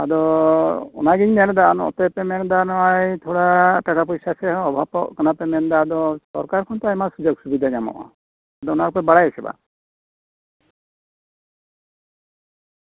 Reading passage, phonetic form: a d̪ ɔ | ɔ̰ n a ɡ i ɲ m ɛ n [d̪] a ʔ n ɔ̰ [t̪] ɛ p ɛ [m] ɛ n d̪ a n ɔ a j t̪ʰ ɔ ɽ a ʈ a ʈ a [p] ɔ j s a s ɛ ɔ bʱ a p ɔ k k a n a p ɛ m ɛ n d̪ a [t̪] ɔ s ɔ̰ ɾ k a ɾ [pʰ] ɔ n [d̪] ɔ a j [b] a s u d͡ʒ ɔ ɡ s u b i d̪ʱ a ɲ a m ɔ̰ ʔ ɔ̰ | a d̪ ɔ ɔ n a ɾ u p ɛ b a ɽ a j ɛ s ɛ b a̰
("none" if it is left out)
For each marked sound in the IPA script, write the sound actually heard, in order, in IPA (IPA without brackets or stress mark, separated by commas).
d̪, t̪, m, p, d̪, kʰ, t̪, m